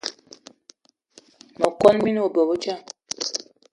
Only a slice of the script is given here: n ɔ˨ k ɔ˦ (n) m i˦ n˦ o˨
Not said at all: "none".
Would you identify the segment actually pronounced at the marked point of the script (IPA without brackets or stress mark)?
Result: n